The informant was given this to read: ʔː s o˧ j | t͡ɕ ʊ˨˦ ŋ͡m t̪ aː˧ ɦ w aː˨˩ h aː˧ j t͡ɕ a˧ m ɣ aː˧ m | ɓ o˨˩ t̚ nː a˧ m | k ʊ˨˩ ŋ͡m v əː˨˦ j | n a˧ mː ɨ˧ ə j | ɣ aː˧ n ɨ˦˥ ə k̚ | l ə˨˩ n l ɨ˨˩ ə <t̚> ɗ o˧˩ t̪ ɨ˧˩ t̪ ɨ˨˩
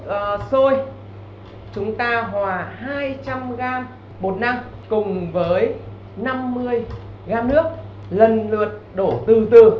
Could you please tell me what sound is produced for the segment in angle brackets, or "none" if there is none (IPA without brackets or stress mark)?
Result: t̚